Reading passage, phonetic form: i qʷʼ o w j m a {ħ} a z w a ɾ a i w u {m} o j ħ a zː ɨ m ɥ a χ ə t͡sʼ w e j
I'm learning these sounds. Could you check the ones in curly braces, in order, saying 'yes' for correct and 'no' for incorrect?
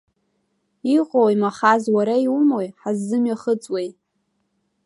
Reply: no, yes

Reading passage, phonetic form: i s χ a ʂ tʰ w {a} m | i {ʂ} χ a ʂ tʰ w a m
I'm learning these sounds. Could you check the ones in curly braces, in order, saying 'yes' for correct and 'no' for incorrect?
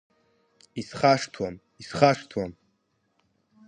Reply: yes, no

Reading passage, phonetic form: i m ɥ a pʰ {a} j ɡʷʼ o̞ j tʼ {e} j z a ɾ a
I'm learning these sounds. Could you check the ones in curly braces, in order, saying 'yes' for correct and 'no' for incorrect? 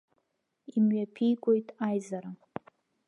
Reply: no, no

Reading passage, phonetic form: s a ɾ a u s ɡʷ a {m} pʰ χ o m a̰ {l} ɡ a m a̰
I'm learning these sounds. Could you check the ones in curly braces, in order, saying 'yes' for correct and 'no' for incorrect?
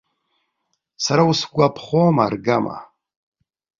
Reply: no, no

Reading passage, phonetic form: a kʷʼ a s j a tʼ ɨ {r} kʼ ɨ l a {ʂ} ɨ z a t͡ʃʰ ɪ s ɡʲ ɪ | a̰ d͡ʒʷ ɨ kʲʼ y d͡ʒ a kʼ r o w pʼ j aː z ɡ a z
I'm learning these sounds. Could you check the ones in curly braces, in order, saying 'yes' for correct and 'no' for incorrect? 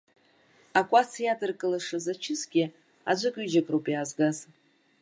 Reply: yes, yes

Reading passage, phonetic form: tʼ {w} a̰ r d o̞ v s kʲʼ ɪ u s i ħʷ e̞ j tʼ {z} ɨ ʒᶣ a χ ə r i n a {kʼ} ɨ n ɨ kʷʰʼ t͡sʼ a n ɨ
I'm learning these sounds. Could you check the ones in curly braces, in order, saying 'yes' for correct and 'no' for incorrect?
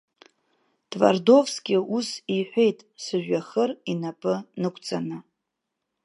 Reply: no, no, no

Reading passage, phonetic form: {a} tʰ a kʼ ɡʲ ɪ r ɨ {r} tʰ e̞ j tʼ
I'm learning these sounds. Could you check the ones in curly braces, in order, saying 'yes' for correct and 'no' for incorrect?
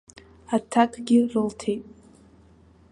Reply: yes, no

